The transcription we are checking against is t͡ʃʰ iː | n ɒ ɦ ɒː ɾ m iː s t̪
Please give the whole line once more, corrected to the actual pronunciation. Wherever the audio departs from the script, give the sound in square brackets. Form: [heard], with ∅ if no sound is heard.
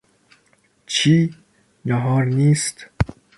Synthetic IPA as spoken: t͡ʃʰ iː | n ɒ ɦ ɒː ɾ [n] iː s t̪